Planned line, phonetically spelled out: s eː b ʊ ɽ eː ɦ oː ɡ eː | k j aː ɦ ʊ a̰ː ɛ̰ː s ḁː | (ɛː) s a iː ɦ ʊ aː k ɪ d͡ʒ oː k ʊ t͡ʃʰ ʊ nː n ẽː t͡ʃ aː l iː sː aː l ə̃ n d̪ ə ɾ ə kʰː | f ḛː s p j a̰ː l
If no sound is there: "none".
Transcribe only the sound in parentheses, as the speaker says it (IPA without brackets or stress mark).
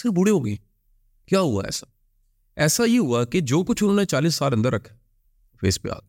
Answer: ɛː